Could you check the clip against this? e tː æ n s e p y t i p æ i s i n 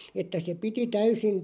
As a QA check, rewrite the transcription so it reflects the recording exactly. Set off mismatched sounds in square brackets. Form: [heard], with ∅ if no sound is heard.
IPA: e tː æ [∅] s e p [i] t i [t] æ [y] s i n